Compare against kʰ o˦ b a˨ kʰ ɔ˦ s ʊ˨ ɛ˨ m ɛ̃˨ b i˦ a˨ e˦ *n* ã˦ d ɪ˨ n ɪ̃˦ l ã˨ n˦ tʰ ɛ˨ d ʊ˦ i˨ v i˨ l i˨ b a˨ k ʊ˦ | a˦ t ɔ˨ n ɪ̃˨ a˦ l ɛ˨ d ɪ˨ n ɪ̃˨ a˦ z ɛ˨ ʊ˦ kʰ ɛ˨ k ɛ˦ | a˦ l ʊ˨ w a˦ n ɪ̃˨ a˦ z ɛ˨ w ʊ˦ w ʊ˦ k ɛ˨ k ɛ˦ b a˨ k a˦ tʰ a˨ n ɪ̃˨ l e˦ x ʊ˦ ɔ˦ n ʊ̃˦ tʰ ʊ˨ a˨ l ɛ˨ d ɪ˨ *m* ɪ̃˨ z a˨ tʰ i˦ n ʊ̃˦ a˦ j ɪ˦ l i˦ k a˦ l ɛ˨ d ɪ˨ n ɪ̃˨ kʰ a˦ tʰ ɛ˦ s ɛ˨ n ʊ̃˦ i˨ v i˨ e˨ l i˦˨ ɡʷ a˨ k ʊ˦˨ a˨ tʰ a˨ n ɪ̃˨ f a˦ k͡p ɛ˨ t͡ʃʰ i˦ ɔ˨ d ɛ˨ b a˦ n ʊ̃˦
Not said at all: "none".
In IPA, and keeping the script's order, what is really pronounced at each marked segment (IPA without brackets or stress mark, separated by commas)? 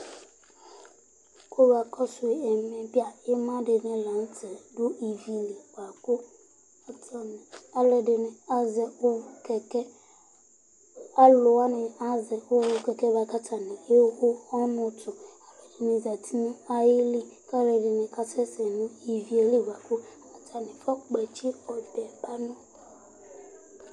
m, n